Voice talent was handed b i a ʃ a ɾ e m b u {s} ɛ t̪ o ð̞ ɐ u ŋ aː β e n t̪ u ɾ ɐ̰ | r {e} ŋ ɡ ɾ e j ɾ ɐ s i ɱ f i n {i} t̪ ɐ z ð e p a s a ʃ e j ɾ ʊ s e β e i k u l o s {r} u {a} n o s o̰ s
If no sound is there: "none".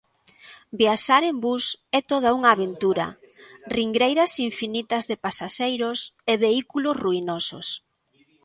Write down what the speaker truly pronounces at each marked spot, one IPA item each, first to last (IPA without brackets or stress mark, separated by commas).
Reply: s, i, i, r, i